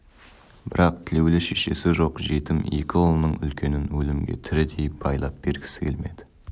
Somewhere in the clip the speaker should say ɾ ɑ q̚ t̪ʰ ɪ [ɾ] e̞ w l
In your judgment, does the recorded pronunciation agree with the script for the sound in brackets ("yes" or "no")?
no